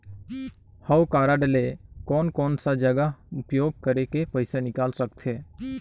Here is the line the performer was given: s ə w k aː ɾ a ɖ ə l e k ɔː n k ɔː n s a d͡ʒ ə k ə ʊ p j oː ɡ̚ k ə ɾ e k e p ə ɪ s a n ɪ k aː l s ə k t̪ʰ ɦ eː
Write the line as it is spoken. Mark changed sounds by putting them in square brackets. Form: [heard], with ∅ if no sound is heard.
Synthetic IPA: [h] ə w k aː ɾ a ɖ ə l e k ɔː n k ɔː n s a d͡ʒ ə [ɡ] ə ʊ p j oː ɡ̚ k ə ɾ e k e p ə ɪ s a n ɪ k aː l s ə k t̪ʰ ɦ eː